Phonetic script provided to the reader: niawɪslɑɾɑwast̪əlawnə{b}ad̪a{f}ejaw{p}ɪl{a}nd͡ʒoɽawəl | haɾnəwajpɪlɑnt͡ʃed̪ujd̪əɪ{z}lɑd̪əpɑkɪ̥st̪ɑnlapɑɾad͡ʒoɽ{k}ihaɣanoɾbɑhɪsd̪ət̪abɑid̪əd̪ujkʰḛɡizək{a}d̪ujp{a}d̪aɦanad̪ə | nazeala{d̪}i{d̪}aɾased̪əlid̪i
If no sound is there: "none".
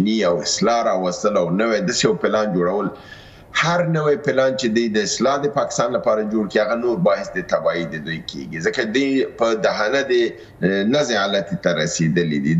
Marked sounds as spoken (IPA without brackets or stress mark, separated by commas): w, s, p, ɑ, s, k, a, ə, t̪, t̪